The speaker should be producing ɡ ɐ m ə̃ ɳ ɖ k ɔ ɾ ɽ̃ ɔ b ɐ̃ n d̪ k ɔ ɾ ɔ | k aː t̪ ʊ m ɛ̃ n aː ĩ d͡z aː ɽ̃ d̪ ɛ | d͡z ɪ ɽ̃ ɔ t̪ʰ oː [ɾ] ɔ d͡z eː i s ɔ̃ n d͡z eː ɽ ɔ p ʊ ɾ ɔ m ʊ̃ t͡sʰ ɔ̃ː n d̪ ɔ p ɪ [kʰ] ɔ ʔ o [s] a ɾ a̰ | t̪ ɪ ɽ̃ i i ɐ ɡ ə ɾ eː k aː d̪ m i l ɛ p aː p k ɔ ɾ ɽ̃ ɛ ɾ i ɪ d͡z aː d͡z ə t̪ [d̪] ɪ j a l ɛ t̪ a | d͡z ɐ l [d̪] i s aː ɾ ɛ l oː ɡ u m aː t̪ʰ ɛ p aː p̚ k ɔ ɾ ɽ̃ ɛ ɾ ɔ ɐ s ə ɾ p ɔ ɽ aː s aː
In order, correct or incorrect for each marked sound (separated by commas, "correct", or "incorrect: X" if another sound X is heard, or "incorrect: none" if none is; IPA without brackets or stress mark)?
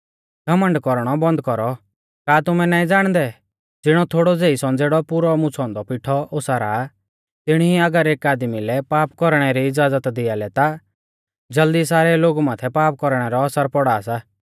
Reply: incorrect: ɽ, incorrect: ʈʰ, correct, correct, correct